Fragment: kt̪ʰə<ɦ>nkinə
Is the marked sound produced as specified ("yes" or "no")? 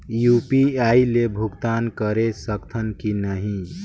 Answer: no